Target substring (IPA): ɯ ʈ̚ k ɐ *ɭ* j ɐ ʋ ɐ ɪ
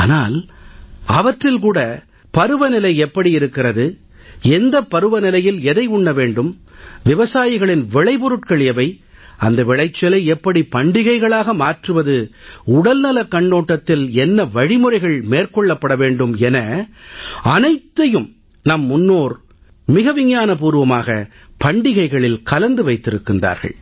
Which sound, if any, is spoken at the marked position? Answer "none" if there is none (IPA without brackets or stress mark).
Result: ɭ